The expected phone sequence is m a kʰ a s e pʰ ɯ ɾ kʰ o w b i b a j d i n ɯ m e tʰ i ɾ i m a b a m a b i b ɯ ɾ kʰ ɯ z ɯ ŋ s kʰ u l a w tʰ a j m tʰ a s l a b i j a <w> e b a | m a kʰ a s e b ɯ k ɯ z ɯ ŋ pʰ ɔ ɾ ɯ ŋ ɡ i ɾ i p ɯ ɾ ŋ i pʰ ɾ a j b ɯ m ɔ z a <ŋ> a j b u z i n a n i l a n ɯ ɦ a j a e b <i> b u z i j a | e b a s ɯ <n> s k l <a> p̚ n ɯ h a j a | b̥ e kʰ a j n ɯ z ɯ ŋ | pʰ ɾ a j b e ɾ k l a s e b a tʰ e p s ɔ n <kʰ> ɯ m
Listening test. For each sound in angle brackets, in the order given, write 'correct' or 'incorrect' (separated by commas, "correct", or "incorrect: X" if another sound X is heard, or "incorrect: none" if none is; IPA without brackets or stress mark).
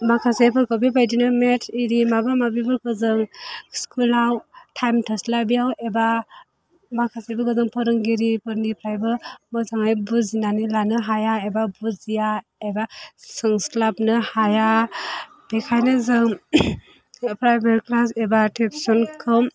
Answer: correct, correct, incorrect: a, incorrect: ŋ, correct, correct